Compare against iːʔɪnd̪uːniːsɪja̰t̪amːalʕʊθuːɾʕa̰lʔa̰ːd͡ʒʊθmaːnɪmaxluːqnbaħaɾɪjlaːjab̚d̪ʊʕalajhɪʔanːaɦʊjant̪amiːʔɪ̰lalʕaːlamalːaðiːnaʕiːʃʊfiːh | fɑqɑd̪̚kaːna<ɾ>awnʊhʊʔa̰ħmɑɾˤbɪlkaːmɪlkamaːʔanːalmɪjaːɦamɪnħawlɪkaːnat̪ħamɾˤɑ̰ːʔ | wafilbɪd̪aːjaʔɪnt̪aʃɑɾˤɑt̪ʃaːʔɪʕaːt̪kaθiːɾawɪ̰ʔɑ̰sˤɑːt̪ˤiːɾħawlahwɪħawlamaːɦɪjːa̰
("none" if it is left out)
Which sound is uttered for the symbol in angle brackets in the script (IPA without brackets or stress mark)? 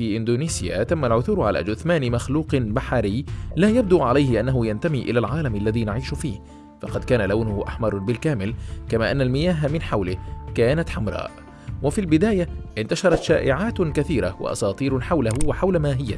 l